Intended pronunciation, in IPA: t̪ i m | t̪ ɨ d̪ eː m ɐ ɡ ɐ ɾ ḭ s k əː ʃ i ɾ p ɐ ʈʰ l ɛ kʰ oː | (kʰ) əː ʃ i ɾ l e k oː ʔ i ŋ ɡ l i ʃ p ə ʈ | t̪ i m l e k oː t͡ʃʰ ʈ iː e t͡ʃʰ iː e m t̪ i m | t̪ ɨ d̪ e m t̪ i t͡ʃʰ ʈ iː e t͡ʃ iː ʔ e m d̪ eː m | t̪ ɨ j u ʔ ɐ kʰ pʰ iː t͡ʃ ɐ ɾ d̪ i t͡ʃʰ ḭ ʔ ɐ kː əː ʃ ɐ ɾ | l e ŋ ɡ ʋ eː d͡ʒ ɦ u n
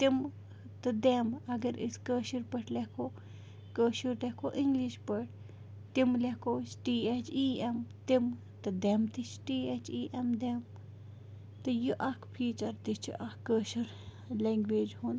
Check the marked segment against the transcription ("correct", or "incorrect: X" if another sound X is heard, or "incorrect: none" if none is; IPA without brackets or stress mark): incorrect: k